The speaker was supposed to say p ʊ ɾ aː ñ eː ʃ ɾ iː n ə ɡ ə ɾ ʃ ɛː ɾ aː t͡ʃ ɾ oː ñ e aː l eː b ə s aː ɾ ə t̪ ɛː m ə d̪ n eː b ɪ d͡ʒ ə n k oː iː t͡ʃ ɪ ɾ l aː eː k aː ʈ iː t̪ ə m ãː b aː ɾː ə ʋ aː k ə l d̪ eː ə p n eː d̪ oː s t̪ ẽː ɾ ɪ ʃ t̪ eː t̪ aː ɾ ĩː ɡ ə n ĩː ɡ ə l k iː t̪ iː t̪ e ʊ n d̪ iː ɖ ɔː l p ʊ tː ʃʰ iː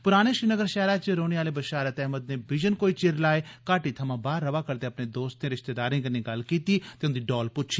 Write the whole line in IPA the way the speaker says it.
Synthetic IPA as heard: p ʊ ɾ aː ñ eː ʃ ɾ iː n ə ɡ ə ɾ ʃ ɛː ɾ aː t͡ʃ ɾ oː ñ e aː l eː b ə ʃ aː ɾ ə t̪ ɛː m ə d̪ n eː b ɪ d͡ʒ ə n k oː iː t͡ʃ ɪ ɾ l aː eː k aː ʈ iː t̪ʰ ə m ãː b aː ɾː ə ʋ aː k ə ɾ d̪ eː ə p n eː d̪ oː s t̪ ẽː ɾ ɪ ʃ t̪ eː d̪ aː ɾ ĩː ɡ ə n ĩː ɡ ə l k iː t̪ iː t̪ e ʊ n d̪ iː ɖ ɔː l p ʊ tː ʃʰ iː